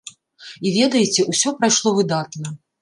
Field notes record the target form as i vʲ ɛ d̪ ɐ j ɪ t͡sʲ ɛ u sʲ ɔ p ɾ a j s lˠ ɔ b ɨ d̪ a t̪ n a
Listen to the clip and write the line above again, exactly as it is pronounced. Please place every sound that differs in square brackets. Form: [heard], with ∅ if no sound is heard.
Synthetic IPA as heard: i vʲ ɛ d̪ ɐ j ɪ t͡sʲ ɛ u sʲ ɔ p ɾ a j [ʂ] lˠ ɔ [v] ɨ d̪ a t̪ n [ɐ]